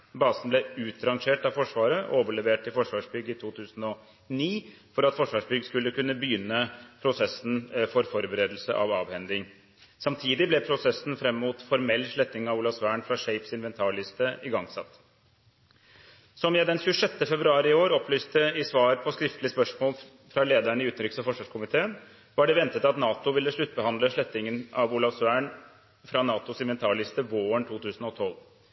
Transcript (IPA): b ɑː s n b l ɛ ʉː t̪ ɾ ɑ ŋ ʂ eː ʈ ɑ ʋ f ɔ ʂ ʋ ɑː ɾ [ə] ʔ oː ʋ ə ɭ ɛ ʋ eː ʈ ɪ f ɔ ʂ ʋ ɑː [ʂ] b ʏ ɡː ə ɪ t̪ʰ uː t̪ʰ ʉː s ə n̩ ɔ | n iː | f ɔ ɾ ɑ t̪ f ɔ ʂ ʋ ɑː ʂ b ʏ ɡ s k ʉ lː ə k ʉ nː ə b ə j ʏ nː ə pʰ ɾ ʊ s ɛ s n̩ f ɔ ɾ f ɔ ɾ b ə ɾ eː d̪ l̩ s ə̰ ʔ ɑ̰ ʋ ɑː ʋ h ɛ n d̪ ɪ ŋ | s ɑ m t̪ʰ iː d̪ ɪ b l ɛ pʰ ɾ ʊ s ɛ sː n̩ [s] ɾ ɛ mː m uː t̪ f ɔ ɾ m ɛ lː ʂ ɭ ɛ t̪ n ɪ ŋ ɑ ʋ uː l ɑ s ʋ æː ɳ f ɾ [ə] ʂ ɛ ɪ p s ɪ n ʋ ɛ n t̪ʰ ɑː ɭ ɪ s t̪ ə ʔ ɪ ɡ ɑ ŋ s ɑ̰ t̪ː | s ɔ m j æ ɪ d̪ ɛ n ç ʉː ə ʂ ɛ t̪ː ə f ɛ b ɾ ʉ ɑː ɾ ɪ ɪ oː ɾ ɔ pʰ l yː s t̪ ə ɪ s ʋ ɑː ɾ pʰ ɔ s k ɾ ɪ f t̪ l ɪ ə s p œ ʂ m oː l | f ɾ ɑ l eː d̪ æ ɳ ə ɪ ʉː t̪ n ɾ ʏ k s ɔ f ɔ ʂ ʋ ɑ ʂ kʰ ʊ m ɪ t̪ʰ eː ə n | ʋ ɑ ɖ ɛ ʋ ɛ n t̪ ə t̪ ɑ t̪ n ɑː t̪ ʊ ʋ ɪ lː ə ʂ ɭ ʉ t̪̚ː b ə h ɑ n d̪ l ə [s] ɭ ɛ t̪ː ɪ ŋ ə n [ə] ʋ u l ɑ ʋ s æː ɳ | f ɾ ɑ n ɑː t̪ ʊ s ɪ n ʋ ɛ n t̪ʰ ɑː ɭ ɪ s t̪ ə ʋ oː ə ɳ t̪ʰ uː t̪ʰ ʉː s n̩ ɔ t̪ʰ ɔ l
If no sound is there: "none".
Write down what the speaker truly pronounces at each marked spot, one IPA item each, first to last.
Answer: ə, ʂ, f, ɑ, ʂ, ɑ

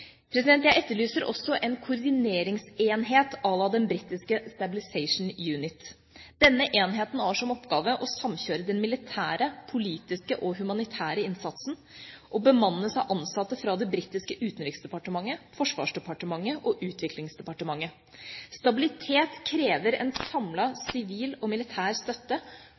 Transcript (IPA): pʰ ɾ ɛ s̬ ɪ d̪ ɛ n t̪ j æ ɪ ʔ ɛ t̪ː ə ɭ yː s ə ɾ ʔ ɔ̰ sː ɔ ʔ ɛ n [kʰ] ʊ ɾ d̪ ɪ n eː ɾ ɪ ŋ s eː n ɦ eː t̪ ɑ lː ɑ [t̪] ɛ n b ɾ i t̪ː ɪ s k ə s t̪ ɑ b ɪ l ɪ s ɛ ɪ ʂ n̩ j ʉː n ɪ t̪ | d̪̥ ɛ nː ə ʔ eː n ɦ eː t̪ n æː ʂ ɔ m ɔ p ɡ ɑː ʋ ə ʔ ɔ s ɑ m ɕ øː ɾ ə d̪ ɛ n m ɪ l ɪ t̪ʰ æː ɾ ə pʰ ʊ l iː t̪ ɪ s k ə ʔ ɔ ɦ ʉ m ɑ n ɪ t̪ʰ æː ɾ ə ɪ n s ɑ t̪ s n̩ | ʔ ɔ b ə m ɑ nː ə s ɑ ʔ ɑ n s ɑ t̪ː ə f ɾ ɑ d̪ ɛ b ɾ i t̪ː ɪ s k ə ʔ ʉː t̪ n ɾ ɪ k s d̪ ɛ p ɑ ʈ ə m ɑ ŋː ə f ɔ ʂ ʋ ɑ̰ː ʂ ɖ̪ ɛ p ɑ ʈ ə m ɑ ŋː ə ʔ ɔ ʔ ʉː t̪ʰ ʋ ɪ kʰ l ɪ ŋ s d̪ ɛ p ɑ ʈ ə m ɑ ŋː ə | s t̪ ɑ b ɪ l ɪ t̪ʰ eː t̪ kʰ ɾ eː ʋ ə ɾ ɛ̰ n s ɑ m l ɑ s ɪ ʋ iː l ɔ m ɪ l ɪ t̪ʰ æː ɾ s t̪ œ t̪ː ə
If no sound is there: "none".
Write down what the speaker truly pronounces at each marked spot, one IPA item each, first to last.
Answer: kʰ, d̪

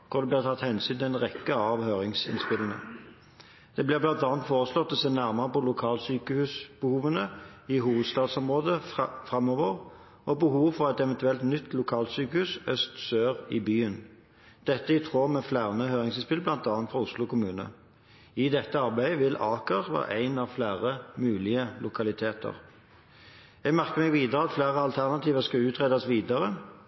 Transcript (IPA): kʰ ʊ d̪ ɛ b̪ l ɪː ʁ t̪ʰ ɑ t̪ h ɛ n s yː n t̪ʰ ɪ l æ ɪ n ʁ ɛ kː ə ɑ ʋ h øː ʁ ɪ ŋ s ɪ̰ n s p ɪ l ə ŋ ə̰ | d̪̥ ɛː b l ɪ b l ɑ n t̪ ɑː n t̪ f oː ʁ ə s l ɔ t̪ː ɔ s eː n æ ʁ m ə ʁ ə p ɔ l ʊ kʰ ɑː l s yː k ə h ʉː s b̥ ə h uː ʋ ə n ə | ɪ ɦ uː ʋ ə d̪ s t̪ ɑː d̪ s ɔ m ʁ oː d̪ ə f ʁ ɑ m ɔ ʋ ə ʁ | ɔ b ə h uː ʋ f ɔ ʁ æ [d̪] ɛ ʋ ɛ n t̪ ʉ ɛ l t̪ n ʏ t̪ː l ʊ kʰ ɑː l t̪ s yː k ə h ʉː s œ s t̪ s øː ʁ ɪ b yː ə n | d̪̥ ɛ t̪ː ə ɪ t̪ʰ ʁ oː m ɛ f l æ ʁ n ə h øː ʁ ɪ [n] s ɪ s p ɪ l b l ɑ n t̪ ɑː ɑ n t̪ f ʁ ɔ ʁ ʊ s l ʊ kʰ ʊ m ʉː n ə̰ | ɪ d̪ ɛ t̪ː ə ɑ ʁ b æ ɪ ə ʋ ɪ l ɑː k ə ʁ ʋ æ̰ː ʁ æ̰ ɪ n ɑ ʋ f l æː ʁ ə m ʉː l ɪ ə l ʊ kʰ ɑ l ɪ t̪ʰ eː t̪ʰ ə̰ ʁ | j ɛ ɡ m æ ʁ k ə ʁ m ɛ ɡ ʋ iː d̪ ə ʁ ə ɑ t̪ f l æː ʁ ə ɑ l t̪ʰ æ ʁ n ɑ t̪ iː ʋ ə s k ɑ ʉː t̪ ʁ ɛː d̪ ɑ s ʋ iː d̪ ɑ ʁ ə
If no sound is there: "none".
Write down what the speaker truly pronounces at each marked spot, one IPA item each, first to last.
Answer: t̪, ŋ

